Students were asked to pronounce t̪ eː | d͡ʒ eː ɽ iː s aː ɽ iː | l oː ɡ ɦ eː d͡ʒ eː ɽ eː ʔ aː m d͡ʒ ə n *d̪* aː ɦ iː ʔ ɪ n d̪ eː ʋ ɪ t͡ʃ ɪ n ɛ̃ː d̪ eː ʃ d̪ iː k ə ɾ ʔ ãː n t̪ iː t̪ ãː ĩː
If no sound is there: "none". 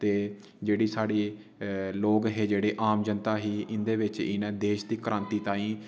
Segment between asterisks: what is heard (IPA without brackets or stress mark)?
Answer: t̪